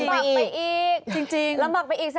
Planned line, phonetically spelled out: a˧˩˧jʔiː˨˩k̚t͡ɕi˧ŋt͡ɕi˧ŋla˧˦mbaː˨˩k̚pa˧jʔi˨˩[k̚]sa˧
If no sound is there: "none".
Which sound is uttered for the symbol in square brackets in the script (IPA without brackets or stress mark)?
k̚